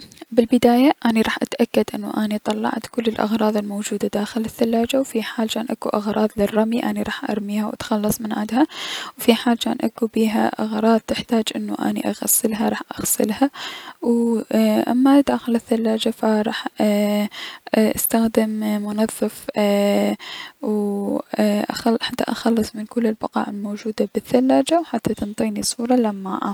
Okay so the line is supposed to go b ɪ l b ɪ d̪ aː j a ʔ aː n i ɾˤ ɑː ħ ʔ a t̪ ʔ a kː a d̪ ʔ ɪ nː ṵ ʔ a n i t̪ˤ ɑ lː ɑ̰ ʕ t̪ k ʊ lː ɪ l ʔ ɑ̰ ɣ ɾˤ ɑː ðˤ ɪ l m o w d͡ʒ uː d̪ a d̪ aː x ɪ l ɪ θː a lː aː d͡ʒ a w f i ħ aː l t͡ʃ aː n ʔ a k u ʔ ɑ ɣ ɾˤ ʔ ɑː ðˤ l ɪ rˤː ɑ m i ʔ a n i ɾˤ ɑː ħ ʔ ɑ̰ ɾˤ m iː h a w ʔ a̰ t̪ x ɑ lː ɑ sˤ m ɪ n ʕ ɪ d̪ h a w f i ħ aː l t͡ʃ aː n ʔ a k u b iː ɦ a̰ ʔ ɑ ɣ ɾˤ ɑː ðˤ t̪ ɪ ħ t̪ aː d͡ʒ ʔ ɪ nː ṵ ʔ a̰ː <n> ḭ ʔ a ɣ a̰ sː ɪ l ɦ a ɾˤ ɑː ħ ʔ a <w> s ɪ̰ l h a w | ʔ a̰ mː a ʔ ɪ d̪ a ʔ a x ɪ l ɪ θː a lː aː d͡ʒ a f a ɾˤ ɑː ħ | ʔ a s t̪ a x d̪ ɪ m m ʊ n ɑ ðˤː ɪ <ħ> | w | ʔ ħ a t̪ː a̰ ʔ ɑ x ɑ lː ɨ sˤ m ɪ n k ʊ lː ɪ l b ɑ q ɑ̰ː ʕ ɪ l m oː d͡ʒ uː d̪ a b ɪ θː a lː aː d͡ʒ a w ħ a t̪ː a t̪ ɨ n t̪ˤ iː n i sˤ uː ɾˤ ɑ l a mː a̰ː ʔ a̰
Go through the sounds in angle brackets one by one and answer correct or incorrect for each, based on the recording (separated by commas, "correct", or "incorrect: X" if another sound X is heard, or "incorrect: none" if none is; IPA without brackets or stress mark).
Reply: correct, incorrect: ɣ, incorrect: f